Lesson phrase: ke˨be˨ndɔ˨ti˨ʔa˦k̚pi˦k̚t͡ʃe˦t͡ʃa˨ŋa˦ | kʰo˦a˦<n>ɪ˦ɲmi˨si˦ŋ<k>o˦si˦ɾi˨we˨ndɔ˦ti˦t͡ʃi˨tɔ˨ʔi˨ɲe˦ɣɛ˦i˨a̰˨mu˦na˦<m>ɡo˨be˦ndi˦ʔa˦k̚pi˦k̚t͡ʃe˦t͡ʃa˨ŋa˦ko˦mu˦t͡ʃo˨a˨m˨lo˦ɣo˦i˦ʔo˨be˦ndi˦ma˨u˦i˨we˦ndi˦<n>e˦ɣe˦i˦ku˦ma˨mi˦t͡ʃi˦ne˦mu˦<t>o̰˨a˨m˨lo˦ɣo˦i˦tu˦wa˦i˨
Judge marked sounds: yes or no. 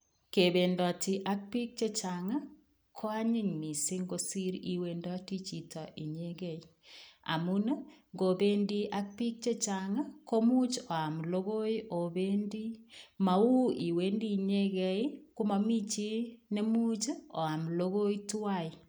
no, no, no, no, no

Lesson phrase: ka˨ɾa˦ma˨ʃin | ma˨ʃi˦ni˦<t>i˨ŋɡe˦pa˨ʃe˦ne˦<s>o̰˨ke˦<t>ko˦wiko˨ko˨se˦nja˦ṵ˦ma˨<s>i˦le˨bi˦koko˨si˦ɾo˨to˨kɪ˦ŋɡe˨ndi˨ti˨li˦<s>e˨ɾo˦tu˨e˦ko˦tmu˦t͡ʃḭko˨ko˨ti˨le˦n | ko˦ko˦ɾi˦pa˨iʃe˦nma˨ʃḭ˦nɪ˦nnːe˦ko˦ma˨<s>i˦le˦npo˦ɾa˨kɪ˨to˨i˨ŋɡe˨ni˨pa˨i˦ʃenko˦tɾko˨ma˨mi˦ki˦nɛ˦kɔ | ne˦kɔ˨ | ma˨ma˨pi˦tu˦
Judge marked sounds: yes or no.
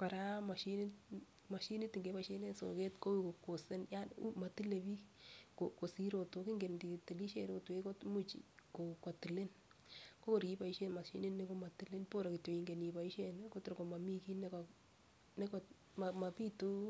yes, yes, yes, no, no, no

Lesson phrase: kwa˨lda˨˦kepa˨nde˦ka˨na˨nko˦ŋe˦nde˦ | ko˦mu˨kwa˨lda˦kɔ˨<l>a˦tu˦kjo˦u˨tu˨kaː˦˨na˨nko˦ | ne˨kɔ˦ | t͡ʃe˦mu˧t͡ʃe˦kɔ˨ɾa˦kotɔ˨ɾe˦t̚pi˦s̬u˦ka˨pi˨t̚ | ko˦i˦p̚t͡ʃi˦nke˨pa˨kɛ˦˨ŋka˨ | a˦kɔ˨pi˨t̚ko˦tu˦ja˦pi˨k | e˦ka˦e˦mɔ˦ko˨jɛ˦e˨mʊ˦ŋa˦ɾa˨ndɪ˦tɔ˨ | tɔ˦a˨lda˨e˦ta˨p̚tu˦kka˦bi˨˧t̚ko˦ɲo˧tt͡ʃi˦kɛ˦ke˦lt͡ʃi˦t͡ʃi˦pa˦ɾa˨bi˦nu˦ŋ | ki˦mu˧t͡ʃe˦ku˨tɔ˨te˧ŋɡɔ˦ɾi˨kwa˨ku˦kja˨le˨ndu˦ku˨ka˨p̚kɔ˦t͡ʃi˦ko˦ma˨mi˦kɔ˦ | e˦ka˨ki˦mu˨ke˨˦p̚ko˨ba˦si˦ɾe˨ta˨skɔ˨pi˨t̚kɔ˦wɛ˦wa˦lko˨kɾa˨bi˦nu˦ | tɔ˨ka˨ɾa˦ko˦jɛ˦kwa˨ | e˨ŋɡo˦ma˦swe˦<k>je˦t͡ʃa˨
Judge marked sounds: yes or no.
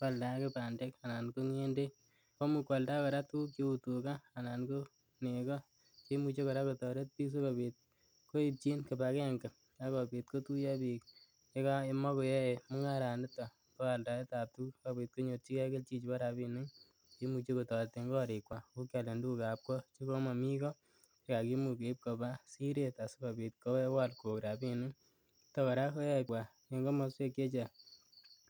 no, yes

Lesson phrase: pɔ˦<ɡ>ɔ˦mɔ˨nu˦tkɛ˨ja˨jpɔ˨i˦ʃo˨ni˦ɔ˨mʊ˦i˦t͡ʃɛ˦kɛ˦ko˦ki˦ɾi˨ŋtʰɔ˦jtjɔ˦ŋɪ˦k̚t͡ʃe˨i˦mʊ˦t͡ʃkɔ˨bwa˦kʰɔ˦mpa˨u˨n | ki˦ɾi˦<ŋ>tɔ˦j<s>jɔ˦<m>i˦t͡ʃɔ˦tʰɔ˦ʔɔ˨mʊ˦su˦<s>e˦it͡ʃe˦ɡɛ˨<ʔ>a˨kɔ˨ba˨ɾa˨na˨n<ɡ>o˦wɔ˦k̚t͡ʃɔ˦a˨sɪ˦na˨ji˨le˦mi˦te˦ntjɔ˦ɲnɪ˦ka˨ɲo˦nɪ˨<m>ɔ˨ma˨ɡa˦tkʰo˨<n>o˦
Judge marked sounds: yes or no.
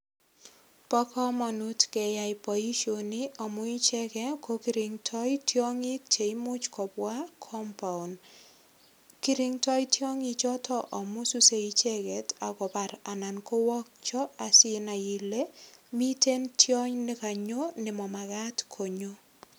no, yes, no, no, yes, no, no, yes, no

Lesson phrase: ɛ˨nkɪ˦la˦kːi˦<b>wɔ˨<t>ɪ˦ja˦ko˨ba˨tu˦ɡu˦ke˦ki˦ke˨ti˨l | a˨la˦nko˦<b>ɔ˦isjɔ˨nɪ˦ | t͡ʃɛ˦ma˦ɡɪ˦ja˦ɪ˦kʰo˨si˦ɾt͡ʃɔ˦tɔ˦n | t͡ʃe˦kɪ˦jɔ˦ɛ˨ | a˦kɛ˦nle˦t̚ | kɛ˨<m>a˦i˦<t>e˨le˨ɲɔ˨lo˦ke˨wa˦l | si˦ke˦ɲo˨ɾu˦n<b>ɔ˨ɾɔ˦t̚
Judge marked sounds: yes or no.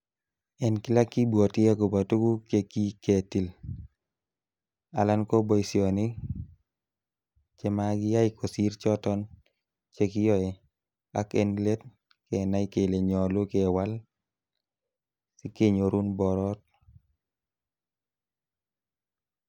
yes, yes, yes, no, no, yes

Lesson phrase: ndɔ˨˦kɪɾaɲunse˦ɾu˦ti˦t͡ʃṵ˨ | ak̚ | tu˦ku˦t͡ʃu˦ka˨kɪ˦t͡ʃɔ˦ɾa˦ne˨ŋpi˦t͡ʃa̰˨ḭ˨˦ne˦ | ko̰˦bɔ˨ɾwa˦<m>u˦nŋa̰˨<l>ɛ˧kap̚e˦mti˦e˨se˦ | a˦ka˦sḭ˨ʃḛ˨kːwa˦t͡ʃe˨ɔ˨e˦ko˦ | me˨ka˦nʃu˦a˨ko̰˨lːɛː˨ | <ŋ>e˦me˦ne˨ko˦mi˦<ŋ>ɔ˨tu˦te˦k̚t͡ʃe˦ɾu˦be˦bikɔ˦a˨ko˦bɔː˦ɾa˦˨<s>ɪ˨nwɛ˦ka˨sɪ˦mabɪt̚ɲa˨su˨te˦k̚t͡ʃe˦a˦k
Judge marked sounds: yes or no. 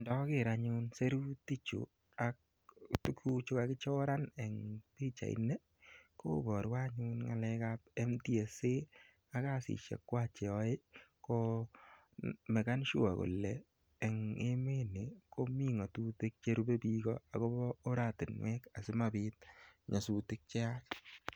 no, yes, yes, yes, no

